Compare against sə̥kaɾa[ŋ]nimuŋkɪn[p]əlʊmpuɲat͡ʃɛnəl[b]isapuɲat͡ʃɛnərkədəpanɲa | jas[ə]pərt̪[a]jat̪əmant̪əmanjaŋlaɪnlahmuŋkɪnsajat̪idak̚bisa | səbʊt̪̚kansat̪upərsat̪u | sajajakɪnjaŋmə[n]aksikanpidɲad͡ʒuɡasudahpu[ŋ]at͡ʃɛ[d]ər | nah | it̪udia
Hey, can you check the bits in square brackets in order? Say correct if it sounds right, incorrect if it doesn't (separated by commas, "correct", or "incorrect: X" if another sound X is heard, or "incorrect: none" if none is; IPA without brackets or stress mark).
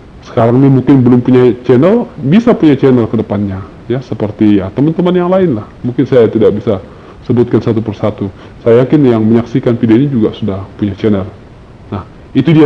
correct, incorrect: b, correct, correct, incorrect: i, incorrect: ɲ, incorrect: ɲ, incorrect: n